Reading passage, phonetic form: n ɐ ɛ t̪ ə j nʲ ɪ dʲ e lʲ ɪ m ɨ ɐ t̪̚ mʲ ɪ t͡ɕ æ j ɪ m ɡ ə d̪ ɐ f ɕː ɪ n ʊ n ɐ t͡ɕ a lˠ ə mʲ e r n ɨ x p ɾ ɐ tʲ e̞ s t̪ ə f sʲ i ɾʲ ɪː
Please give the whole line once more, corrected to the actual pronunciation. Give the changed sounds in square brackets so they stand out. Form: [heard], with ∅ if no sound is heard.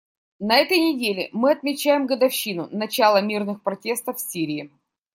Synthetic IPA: n ɐ ɛ t̪ ə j nʲ ɪ dʲ e lʲ ɪ m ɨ ɐ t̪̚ mʲ ɪ t͡ɕ æ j ɪ m ɡ ə d̪ ɐ f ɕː [i] n ʊ n ɐ t͡ɕ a lˠ ə mʲ [i] r n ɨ x p ɾ ɐ tʲ e̞ s t̪ ə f sʲ i ɾʲ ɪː